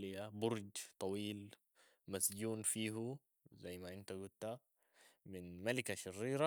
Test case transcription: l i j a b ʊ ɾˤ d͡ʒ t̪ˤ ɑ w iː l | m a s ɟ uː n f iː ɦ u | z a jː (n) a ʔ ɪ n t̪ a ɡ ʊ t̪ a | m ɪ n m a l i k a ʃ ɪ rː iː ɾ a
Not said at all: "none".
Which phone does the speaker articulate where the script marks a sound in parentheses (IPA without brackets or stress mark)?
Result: m